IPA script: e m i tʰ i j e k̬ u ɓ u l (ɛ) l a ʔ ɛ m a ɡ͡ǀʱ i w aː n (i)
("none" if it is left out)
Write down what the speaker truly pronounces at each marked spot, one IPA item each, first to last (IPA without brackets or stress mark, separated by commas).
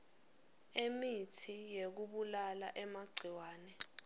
a, ɛ